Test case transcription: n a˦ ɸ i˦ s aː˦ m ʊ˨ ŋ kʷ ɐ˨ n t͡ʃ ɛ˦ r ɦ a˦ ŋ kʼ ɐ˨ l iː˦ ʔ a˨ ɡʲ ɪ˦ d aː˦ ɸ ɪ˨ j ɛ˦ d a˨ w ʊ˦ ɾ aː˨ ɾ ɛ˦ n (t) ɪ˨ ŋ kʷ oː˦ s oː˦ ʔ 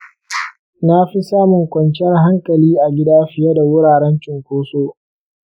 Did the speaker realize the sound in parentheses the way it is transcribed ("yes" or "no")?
no